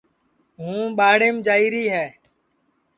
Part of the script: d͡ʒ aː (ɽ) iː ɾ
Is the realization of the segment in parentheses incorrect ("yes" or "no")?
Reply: yes